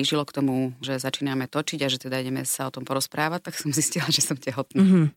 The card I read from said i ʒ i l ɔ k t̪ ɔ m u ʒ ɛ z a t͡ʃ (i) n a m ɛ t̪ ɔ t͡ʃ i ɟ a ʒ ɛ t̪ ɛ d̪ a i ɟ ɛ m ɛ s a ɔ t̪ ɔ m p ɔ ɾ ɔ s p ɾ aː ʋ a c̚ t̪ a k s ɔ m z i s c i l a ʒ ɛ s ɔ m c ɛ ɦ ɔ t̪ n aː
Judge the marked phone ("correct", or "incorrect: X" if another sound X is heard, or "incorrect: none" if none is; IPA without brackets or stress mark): incorrect: iː